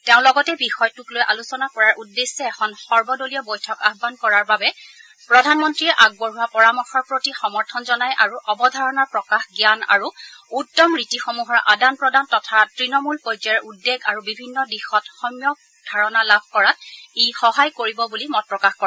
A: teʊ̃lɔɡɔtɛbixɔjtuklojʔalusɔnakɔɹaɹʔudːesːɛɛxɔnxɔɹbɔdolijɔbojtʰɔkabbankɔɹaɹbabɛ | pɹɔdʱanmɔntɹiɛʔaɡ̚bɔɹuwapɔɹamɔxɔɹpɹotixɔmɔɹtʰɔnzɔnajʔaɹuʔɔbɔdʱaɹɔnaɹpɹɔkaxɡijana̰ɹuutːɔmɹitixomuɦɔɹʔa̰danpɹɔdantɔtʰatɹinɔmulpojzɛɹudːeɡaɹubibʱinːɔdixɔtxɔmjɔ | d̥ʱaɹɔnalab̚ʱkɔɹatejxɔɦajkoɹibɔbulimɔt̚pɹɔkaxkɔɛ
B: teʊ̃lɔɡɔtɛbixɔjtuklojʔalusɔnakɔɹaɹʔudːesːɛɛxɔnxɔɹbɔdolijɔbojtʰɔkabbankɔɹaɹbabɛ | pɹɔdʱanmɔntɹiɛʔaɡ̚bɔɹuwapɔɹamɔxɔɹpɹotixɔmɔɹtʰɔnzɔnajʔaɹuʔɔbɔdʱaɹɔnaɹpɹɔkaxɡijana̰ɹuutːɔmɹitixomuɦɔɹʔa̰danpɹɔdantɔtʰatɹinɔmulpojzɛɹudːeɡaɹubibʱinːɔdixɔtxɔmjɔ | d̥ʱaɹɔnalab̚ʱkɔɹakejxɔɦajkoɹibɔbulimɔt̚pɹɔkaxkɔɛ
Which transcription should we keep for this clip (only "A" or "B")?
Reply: A